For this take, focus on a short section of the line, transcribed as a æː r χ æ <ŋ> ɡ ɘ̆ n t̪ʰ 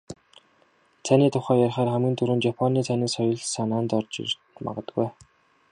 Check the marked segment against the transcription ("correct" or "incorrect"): incorrect